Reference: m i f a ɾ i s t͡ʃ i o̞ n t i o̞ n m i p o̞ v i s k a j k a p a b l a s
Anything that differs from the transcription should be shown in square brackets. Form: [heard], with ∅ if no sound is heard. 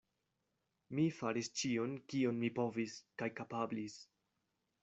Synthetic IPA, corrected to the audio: m i f a ɾ i s t͡ʃ i o̞ n [k] i o̞ n m i p o̞ v i s k a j k a p a b l [i] s